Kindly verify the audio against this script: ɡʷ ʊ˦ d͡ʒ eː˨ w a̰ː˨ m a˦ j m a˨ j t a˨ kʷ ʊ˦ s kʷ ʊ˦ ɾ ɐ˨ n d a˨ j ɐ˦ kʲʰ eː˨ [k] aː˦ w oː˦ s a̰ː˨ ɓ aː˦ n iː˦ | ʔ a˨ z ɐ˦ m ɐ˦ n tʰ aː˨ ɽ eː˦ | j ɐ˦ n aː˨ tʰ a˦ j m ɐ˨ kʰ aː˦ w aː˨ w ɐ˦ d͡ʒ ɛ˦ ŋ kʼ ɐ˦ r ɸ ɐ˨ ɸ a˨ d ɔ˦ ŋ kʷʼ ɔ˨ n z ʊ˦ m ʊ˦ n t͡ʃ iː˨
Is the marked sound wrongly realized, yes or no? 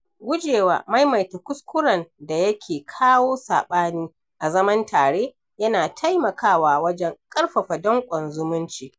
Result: yes